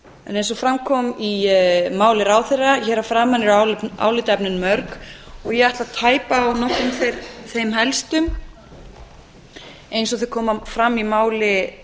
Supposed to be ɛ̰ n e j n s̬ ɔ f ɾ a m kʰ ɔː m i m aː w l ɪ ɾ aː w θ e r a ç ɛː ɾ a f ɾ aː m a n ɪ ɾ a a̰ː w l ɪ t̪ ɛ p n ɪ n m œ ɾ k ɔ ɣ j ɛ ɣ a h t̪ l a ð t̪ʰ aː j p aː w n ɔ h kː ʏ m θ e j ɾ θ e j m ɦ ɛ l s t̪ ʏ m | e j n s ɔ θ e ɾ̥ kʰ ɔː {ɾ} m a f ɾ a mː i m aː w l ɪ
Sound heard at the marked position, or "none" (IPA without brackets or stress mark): none